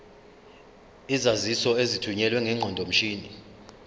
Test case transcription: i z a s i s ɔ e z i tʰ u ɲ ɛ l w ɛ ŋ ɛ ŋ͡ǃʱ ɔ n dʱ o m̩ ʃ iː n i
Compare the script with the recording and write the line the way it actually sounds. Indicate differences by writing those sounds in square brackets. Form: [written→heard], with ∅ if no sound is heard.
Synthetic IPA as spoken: i z a [s→z] i s ɔ e z i tʰ u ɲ ɛ l w ɛ ŋ ɛ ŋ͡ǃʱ ɔ n dʱ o m̩ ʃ iː n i